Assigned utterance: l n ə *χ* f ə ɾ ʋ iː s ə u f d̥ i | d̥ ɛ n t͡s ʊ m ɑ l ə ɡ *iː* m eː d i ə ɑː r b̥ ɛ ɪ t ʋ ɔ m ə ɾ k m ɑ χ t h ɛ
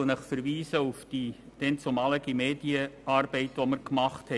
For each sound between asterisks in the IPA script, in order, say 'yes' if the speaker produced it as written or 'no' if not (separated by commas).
yes, no